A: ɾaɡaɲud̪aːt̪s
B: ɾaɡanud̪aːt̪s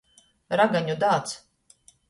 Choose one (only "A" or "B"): A